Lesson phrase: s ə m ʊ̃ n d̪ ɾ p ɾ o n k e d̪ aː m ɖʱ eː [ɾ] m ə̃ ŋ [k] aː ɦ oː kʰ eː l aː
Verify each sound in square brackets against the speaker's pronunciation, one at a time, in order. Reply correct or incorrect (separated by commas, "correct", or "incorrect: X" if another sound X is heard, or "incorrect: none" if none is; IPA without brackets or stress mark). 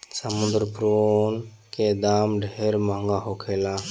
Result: correct, incorrect: ɡ